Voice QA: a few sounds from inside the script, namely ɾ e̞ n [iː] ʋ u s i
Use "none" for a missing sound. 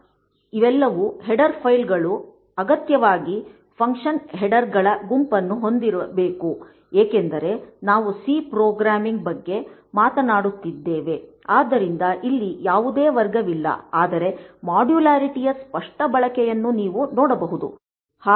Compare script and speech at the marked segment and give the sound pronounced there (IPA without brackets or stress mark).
aː